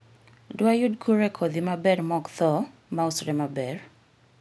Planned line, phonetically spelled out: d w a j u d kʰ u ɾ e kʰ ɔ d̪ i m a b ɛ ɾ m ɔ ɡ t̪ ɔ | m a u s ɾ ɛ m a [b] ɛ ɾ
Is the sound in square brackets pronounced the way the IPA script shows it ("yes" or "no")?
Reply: yes